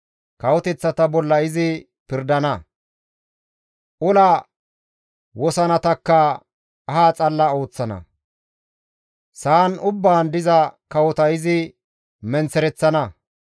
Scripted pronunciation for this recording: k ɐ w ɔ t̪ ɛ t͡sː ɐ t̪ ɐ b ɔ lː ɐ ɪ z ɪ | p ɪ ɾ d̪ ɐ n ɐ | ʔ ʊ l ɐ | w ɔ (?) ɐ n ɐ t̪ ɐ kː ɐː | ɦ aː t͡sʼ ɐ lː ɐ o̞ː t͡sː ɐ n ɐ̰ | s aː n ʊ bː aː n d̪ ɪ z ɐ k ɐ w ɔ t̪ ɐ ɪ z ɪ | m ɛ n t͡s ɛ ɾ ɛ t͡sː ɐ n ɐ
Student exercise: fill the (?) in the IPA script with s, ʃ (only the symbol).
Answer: s